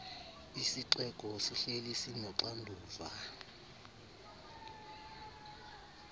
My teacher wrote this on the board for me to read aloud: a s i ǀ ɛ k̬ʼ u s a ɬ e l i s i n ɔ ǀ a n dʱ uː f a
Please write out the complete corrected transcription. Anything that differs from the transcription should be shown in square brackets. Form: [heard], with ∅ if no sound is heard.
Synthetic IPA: [i] s i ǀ ɛ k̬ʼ [ɔ] s [i] ɬ e l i s i n ɔ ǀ a n dʱ uː [v] a